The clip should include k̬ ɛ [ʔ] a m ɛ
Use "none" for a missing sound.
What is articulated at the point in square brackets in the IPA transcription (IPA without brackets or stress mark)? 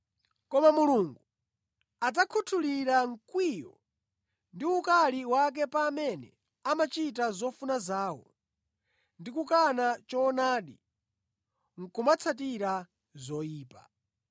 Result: p